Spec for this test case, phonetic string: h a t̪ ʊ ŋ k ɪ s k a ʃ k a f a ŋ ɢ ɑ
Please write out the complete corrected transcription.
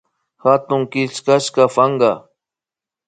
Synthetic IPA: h a t̪ ʊ ŋ k ɪ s k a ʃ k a f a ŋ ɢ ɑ